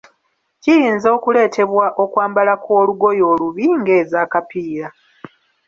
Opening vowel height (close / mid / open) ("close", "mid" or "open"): close